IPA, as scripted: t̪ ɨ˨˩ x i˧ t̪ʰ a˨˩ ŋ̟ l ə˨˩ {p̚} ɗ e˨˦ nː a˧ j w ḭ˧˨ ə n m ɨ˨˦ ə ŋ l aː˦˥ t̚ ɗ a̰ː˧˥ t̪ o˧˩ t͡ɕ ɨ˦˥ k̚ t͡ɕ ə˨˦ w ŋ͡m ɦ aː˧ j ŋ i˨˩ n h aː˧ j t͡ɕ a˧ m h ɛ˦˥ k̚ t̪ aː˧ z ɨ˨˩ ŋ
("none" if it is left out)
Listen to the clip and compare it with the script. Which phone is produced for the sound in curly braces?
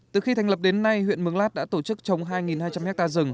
p̚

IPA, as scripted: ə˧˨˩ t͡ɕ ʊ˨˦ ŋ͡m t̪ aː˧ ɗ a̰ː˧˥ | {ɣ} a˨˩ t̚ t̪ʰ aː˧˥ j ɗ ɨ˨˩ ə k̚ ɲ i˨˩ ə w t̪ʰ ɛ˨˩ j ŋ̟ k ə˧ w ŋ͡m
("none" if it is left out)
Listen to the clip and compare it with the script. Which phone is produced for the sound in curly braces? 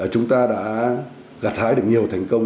ɣ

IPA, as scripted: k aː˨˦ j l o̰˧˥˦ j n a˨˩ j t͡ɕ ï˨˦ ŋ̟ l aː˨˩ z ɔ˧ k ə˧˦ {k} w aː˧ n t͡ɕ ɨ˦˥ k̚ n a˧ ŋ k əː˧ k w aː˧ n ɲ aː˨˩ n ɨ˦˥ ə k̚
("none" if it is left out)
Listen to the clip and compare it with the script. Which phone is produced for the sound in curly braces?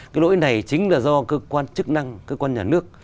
k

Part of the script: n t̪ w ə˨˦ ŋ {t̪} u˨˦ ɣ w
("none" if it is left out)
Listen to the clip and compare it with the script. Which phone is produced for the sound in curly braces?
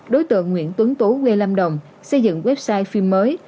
t̪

